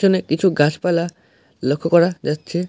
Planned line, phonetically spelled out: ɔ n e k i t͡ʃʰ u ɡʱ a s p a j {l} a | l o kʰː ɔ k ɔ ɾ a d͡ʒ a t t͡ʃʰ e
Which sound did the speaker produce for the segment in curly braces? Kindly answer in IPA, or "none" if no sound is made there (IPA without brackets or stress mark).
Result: l